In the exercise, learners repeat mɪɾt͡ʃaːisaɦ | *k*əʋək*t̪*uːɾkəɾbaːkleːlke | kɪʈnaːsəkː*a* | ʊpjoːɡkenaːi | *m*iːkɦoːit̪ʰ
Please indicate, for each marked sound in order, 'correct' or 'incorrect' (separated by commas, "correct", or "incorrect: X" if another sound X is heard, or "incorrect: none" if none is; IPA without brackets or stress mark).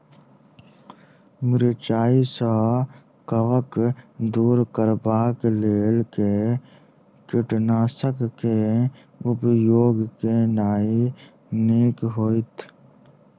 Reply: correct, incorrect: d̪, incorrect: e, incorrect: n